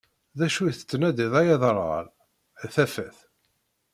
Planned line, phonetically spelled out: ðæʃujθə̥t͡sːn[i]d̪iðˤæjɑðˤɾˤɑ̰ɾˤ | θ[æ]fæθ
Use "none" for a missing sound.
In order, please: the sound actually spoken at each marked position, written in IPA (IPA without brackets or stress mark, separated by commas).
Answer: æ, æ